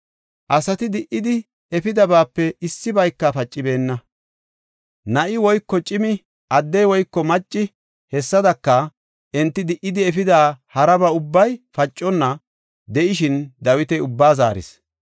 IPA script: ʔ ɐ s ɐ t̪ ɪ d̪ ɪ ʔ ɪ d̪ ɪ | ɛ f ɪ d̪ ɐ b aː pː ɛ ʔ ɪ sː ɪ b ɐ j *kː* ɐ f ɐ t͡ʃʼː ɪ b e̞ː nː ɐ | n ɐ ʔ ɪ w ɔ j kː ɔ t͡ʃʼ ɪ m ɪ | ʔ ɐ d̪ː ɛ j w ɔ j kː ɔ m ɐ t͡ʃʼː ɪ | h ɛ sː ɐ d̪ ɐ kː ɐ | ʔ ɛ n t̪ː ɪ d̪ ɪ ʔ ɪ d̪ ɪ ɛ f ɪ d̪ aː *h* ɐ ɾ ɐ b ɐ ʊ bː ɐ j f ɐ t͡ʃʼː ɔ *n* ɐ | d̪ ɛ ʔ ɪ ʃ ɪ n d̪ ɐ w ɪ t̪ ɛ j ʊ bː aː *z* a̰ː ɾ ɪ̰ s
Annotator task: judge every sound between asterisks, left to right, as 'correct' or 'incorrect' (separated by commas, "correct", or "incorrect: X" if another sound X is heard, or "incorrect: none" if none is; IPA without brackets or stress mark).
correct, correct, incorrect: nː, correct